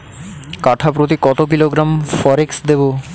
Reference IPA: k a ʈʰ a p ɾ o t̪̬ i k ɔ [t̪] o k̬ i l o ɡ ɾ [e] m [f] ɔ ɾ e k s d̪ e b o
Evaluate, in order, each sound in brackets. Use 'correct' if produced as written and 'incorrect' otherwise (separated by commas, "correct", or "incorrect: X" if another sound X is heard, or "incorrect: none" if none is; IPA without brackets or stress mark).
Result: correct, incorrect: a, correct